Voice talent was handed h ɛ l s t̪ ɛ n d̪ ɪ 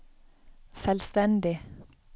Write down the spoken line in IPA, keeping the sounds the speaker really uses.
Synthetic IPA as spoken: s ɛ l s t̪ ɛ n d̪ ɪ